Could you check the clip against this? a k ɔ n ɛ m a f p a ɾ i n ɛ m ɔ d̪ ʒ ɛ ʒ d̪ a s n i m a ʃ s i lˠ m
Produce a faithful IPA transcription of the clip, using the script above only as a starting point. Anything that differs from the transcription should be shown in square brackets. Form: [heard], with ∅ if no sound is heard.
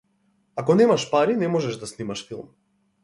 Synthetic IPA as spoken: a k ɔ n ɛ m a [ʃ] p a ɾ i n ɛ m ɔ [∅] ʒ ɛ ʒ d̪ a s n i m a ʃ [f] i lˠ m

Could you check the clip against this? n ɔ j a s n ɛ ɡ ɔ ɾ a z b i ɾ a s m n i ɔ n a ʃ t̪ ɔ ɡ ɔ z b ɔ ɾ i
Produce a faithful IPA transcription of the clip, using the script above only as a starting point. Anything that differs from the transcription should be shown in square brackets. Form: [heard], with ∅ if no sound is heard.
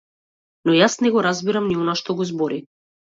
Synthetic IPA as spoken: n ɔ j a s n ɛ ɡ ɔ ɾ a z b i ɾ a [∅] m n i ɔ n a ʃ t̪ ɔ ɡ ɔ z b ɔ ɾ i

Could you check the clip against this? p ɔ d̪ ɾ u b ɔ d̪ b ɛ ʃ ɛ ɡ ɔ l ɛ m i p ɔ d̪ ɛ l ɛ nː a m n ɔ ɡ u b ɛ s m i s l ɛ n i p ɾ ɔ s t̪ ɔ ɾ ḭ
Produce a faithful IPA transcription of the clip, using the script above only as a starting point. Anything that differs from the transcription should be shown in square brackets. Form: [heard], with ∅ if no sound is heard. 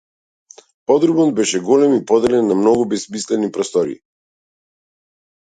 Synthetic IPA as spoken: p ɔ d̪ ɾ u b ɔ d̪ b ɛ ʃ ɛ ɡ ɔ l ɛ m i p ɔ d̪ ɛ l ɛ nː a m n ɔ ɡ u b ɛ s m i s l ɛ n i p ɾ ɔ s t̪ ɔ ɾ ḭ

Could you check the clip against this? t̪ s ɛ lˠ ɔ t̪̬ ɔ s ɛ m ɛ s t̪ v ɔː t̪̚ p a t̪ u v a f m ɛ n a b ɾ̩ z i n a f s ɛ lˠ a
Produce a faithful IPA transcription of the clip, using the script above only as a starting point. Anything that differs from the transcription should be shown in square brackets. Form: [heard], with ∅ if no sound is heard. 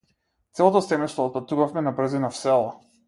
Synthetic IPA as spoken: t̪ s ɛ lˠ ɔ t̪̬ ɔ s ɛ m ɛ s t̪ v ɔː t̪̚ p a t̪ u v a f m ɛ n a b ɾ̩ z i n a f s ɛ lˠ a

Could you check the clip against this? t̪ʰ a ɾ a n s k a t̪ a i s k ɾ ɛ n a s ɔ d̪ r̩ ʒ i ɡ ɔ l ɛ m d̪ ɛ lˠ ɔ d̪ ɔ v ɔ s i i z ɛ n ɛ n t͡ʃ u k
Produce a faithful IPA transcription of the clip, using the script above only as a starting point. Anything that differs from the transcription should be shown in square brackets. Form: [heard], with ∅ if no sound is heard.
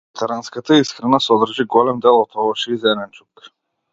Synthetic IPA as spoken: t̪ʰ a ɾ a n s k a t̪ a i s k ɾ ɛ n a s ɔ d̪ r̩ ʒ i ɡ ɔ l ɛ m d̪ ɛ lˠ ɔ [t̪] ɔ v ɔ [ʃ] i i z ɛ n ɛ n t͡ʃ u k

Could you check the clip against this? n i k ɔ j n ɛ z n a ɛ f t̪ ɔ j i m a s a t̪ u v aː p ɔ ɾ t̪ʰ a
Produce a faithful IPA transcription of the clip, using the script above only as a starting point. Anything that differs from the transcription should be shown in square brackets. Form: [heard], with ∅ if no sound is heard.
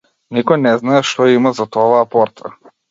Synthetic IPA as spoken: n i k ɔ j n ɛ z n a ɛ [ʃ] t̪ ɔ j i m a [z] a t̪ [ɔ] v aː p ɔ ɾ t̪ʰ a

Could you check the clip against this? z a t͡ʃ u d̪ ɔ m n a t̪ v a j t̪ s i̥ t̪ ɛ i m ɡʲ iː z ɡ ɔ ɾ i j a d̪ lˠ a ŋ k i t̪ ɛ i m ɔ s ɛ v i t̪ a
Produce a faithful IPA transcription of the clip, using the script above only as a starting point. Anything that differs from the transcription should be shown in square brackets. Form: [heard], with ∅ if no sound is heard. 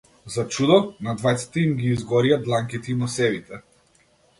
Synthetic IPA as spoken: z a t͡ʃ u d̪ ɔ [∅] n a [d̪] v a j t̪ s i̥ t̪ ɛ i m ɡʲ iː z ɡ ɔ ɾ i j a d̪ lˠ a ŋ k i t̪ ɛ i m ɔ s ɛ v i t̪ [ɛ]

